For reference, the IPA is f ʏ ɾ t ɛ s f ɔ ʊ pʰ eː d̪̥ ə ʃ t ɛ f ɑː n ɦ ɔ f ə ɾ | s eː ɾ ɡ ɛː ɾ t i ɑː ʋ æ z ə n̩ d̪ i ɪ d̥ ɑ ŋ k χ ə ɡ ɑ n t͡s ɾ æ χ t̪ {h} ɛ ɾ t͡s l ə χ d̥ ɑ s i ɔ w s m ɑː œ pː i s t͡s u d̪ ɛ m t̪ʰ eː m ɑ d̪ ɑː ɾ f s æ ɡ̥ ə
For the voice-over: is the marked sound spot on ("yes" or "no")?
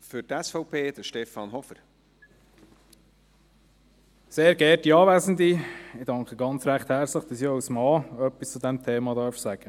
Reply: yes